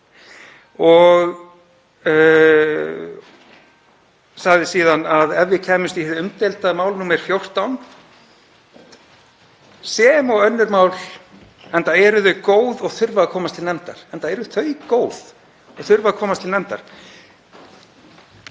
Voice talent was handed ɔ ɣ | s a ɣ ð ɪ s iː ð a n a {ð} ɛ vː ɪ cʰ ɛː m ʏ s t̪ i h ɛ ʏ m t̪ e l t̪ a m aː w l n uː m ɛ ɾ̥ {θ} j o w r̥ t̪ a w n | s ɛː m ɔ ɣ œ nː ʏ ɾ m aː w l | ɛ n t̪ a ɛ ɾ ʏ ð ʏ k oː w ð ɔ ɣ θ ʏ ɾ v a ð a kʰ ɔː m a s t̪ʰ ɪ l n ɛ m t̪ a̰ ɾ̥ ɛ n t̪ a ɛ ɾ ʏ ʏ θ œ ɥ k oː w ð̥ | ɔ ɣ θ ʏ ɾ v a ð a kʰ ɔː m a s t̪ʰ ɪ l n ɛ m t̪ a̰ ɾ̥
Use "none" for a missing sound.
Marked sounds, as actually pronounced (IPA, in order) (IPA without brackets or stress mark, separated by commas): ð, f